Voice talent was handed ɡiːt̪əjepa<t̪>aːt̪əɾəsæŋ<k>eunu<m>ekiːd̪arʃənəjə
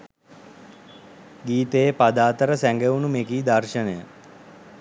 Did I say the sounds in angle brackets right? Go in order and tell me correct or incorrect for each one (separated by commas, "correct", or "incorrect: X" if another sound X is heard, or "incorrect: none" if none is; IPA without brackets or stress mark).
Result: incorrect: d̪, incorrect: ɡ, correct